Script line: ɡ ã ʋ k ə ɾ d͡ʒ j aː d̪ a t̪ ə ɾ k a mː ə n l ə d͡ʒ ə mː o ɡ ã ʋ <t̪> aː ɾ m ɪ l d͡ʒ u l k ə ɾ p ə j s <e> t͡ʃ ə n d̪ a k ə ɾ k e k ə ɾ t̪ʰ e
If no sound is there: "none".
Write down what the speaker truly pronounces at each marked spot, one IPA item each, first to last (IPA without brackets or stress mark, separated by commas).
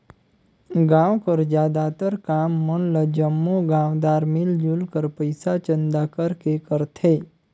d̪, a